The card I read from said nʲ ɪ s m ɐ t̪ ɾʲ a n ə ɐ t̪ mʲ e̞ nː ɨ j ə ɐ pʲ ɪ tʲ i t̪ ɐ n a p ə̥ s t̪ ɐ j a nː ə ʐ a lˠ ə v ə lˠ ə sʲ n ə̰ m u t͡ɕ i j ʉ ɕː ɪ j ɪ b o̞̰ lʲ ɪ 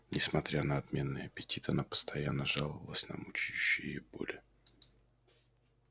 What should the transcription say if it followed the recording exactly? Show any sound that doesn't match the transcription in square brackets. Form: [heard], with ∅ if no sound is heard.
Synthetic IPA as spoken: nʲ ɪ s m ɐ t̪ ɾʲ a n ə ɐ t̪ mʲ e̞ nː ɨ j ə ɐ pʲ ɪ tʲ i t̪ ɐ n a p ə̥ s t̪ ɐ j a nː ə ʐ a lˠ ə v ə lˠ ə sʲ n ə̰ m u t͡ɕ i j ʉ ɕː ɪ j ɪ b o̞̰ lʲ ɪ